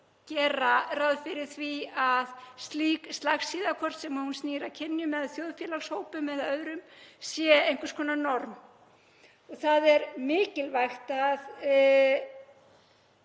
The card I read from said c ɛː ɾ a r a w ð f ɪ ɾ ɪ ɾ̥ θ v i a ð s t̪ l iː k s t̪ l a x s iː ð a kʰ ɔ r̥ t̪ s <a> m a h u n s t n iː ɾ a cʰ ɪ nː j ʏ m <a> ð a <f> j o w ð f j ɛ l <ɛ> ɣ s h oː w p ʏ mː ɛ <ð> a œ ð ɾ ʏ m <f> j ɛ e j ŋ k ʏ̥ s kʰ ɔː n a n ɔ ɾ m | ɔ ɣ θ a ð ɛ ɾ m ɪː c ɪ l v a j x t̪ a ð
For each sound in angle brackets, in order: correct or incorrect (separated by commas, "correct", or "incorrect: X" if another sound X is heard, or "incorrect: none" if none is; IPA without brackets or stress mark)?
incorrect: ɛ, incorrect: ɛ, incorrect: θ, incorrect: a, correct, incorrect: s